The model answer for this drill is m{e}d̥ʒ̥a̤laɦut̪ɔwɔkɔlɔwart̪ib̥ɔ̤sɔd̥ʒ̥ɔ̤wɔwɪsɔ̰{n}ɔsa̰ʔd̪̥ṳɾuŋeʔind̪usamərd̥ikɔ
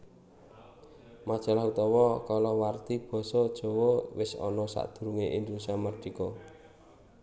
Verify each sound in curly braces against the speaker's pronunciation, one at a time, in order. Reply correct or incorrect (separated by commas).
incorrect, correct